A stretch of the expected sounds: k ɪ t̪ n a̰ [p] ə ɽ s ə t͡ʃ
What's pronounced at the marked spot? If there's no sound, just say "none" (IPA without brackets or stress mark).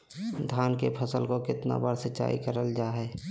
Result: b